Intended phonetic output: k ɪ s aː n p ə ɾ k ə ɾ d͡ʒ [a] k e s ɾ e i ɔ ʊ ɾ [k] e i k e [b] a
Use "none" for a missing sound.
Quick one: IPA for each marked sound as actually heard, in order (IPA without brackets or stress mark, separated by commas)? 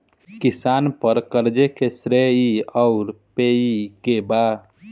e, p, b